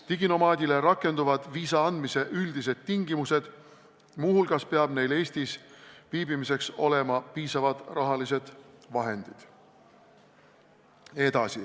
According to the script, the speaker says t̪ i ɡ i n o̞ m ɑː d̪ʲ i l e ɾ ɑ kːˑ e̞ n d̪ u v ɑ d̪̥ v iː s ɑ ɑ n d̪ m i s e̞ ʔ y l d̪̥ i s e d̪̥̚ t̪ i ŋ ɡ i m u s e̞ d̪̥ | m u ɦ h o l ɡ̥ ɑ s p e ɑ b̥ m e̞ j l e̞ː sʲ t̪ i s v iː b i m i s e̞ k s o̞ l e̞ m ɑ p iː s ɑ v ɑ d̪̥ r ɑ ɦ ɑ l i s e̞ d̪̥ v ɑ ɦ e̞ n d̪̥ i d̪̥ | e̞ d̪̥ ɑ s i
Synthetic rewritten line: t̪ i ɡ i n o̞ m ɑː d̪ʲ i l e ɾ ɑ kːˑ e̞ n d̪ u v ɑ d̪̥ v iː s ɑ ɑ n d̪ m i s e̞ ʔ y l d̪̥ i s e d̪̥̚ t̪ i ŋ ɡ i m u s e̞ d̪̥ | m u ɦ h u l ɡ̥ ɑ s p e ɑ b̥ n e̞ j l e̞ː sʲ t̪ i s v iː b i m i s e̞ k s o̞ l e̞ m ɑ p iː s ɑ v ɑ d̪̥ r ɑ ɦ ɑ l i s e̞ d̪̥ v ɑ ɦ e̞ n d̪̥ i d̪̥ | e̞ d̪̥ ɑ s i